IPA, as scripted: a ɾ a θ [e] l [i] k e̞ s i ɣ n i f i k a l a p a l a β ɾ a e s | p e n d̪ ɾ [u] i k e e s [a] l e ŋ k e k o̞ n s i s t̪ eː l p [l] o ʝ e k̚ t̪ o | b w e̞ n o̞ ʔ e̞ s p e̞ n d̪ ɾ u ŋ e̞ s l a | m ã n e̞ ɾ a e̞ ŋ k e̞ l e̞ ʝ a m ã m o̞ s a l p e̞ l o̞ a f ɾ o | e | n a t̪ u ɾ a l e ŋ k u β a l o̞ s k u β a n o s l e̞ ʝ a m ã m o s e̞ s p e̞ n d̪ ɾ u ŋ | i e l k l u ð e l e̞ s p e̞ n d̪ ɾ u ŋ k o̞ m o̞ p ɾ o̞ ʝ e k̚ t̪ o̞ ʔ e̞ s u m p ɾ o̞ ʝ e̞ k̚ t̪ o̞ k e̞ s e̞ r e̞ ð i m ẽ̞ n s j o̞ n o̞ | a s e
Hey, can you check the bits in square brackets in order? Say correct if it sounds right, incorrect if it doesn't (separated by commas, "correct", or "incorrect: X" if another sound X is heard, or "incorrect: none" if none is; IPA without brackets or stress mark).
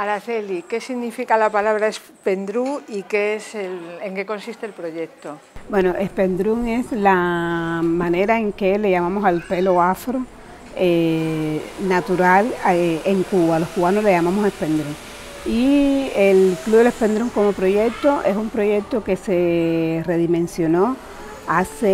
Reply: correct, correct, correct, incorrect: e, incorrect: ɾ